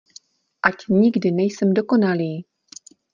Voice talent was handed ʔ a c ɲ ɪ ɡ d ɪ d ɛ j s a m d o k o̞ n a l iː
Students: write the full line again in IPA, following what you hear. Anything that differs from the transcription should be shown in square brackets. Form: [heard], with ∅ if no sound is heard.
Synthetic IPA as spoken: ʔ a c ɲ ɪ ɡ d ɪ [n] ɛ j s [ɛ] m d o k o̞ n a l iː